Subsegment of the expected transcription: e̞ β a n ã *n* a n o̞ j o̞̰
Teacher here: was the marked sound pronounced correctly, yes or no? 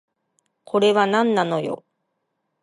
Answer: no